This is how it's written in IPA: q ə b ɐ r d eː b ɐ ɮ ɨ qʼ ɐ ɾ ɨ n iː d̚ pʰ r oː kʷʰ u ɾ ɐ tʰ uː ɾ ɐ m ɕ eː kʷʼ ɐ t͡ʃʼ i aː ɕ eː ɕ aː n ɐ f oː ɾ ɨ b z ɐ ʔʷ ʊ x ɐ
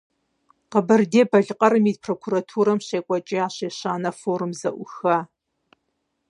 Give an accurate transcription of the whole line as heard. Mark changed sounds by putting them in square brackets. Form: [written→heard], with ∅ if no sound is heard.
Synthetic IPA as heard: q ə b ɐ r d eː b ɐ ɮ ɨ qʼ ɐ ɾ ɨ [n→m] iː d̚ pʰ r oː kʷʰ u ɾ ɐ tʰ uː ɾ ɐ m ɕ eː kʷʼ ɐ t͡ʃʼ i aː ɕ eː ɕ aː n ɐ f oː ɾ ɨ [b→m] z ɐ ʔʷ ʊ x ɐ